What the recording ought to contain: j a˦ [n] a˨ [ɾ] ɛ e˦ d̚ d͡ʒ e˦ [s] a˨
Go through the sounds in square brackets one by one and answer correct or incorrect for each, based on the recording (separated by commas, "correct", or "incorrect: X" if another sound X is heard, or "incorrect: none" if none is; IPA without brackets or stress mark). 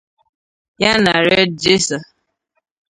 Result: correct, correct, correct